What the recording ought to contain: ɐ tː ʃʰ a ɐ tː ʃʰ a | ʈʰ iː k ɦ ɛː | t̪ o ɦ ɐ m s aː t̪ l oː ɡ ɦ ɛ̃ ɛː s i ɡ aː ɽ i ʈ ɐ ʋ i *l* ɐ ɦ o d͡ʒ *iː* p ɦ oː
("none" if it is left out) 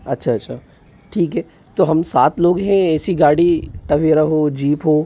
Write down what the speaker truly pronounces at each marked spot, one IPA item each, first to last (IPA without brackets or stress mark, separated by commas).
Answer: ɾ, iː